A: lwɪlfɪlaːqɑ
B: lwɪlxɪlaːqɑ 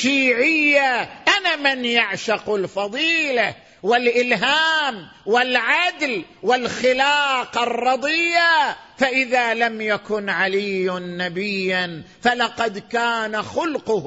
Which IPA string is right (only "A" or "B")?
B